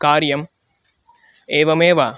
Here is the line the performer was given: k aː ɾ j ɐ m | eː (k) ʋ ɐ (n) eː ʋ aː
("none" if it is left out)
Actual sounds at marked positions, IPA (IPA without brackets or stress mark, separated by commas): none, m